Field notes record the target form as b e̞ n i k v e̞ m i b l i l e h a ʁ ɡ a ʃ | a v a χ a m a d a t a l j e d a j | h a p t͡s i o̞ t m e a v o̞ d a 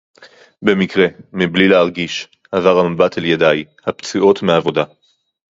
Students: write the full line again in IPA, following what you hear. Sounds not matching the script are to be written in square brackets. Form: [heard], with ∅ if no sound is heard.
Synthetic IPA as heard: b e̞ [m] i k [ʁ] e̞ m i b l i l e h a ʁ ɡ [i] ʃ | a v a [ʁ] a m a [b] a t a l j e d a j | h a p t͡s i o̞ t m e a v o̞ d a

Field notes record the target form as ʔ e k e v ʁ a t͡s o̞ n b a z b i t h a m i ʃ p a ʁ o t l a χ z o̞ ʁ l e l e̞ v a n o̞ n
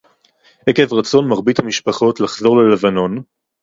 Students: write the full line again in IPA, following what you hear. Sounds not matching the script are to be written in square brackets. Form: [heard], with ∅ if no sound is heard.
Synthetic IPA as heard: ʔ e k e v ʁ a t͡s o̞ n [m] a [ʁ] b i t h a m i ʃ p a [χ] o t l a χ z o̞ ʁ l e l e̞ v a n o̞ n

